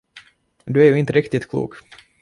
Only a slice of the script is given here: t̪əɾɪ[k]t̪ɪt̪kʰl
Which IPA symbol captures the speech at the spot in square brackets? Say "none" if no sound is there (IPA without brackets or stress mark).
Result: k